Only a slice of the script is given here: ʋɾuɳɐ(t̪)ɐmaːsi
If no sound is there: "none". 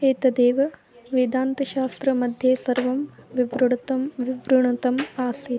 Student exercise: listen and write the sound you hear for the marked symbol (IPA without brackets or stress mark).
t̪